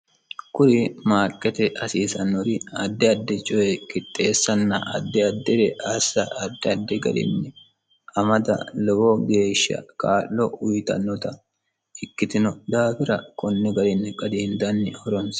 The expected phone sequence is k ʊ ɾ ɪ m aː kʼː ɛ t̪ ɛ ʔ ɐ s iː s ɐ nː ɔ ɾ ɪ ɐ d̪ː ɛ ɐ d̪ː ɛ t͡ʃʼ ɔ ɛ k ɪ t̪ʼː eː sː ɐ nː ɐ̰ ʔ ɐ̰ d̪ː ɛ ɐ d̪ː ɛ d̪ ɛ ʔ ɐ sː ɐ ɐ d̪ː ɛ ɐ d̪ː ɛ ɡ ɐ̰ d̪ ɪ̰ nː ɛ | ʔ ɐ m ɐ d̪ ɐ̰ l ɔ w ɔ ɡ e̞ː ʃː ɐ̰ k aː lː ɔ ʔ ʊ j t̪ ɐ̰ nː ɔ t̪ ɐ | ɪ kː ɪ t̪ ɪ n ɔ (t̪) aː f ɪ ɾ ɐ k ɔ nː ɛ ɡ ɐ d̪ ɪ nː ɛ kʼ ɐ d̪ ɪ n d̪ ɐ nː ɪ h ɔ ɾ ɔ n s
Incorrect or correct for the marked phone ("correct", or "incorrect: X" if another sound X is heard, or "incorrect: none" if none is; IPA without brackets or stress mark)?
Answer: incorrect: d̪